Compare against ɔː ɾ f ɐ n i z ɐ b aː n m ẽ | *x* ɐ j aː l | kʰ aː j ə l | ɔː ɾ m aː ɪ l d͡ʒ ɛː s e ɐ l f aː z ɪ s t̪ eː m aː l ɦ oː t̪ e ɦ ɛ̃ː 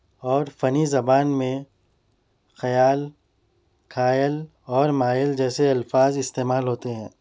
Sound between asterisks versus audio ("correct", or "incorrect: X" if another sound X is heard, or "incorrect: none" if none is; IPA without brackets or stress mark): correct